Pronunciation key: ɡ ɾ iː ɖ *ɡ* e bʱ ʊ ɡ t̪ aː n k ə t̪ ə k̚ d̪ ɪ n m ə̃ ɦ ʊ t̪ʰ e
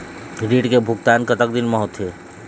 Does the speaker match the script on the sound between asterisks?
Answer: no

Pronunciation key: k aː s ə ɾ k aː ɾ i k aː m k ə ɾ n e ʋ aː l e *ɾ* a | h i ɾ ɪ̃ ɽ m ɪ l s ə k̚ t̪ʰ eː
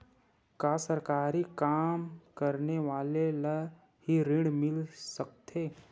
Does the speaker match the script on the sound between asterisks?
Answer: no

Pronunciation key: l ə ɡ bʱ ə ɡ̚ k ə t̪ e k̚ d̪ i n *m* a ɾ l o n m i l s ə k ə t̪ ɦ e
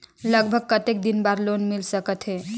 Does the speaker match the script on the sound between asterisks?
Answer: no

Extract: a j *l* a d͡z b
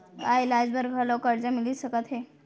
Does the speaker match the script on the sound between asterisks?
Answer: yes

